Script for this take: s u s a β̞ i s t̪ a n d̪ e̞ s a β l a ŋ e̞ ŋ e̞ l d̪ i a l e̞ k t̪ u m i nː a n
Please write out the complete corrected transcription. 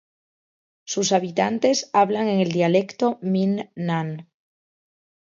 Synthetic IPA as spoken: s u s a β̞ i t̪ a n t̪ e̞ s a β l a ŋ e̞ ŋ e̞ l d̪ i a l e̞ k t̪ o m i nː a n